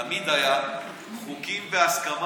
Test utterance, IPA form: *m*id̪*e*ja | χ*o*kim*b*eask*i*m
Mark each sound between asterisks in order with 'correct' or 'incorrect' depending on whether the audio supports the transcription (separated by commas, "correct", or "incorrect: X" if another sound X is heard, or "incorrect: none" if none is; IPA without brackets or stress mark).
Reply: correct, incorrect: a, incorrect: u, incorrect: v, incorrect: a